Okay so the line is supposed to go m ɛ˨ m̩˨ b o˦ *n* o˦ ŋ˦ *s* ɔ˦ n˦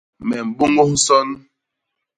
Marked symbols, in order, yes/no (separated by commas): no, yes